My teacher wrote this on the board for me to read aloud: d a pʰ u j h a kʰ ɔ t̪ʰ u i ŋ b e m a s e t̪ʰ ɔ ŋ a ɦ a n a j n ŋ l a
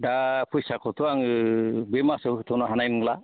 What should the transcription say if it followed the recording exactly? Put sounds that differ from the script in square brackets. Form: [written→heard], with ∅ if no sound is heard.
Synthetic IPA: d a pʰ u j [h→s] a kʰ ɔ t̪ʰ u [i→a] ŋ b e m a s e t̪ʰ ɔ [ŋ→n] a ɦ a n a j n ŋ l a